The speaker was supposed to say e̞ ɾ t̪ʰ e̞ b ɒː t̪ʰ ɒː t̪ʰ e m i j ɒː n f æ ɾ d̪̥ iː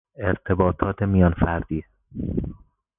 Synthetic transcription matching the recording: e̞ ɾ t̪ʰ e̞ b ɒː t̪ʰ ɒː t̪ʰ e m i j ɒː n f æ ɾ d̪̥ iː

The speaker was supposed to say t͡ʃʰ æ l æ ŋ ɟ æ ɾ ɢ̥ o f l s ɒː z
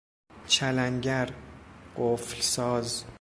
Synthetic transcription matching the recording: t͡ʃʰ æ l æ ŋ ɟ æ ɾ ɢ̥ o f l s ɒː z

